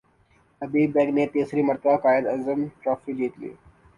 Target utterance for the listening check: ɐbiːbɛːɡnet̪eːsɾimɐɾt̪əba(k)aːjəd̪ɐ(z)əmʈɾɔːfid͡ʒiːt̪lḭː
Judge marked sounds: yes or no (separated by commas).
yes, yes